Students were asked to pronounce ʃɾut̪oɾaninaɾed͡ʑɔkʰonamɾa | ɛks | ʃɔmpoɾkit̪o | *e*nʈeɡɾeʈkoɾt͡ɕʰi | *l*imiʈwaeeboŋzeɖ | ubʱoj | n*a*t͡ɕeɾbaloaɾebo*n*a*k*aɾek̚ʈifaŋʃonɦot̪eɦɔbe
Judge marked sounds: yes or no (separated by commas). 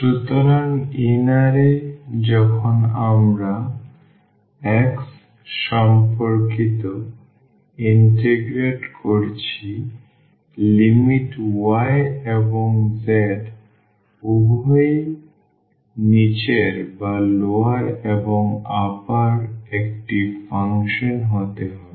no, yes, no, no, no